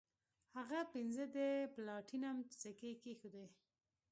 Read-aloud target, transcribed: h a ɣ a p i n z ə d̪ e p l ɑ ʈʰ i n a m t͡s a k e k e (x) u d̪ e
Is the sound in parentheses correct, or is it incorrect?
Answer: correct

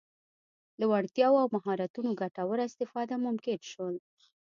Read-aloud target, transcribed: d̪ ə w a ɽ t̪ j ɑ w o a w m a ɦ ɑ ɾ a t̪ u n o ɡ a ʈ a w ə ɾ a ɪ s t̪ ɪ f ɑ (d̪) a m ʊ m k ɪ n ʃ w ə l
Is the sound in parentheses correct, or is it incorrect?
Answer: correct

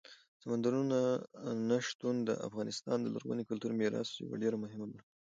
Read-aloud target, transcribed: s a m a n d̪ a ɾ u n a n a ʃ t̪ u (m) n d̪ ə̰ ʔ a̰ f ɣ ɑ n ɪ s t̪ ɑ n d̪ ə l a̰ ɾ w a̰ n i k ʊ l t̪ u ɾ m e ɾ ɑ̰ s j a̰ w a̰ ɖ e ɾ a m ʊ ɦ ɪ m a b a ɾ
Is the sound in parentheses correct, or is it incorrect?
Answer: incorrect: none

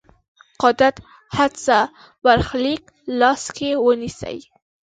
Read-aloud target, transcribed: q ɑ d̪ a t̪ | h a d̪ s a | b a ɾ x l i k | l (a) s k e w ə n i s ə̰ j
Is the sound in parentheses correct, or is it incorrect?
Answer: incorrect: ɑ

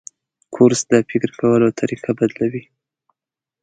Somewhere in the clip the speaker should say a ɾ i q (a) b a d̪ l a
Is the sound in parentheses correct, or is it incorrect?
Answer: correct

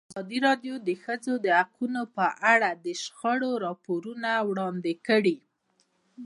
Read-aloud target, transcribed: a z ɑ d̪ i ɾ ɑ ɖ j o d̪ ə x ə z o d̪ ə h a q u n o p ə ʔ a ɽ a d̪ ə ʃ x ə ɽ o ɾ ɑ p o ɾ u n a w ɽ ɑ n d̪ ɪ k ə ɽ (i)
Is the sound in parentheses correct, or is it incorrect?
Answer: correct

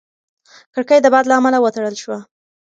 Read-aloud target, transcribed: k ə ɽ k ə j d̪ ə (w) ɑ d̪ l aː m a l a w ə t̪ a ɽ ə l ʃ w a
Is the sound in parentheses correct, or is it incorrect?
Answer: incorrect: b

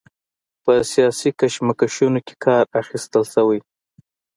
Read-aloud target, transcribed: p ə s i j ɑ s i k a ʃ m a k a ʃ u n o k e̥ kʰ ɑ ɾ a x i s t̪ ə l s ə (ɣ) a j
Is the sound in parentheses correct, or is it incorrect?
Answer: incorrect: w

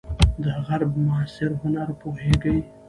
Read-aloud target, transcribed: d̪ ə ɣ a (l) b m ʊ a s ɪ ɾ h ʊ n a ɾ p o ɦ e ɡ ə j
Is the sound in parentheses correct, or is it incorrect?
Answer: incorrect: ɾ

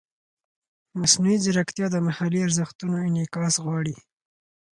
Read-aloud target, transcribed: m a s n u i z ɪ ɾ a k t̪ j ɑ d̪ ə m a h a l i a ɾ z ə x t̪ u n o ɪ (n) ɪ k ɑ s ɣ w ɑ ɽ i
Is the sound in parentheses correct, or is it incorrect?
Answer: correct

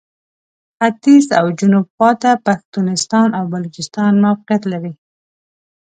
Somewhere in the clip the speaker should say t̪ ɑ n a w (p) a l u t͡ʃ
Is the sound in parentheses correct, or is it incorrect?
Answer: incorrect: b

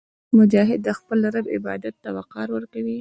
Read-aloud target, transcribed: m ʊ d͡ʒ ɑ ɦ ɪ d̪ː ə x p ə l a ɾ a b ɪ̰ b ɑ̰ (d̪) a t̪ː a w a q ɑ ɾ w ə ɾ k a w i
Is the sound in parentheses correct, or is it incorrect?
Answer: correct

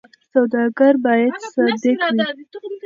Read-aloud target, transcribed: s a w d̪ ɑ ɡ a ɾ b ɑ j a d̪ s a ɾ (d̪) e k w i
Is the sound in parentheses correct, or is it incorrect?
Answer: correct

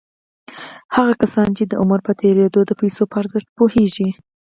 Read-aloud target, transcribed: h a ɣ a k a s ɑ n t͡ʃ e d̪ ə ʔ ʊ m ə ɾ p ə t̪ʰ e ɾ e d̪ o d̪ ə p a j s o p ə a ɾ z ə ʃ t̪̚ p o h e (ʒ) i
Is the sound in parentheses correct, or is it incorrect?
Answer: correct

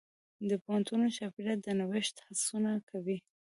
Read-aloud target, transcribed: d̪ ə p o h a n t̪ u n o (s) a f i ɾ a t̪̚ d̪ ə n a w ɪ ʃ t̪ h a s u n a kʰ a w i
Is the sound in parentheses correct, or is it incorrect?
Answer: incorrect: ʃ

